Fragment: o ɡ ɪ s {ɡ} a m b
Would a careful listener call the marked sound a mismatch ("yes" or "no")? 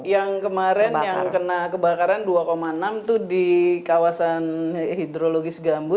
no